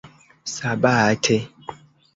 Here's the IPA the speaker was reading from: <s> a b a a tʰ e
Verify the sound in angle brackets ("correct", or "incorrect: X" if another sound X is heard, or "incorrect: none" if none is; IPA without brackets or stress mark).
correct